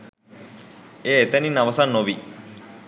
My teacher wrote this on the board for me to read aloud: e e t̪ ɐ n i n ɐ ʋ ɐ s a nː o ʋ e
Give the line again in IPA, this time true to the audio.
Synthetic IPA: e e t̪ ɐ n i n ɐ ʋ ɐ s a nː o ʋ i